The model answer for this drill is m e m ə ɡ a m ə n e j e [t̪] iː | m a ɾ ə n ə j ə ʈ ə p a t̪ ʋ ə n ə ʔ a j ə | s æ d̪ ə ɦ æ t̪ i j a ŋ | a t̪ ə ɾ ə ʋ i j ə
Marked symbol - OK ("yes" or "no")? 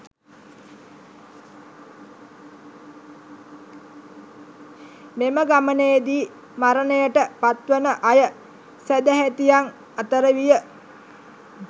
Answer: no